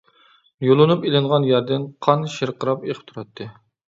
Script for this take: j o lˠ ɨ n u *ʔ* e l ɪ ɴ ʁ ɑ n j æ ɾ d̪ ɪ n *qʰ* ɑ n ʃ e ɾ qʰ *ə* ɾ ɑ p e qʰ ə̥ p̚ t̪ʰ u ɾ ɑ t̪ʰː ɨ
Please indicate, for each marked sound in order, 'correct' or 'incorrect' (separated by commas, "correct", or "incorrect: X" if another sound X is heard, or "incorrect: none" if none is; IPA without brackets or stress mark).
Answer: incorrect: p, correct, correct